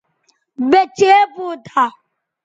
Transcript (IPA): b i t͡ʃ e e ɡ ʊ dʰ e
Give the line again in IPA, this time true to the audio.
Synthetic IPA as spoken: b e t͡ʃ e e b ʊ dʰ a